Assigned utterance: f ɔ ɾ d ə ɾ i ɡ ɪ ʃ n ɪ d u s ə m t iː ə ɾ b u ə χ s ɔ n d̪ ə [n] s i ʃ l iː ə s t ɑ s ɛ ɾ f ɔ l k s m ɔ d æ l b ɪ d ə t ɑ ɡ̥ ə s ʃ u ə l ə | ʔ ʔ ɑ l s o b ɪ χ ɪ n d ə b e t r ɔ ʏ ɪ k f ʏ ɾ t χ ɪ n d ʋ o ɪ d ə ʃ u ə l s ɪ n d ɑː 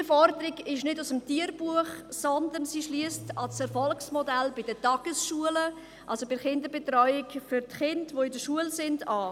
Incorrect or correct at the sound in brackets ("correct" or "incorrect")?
correct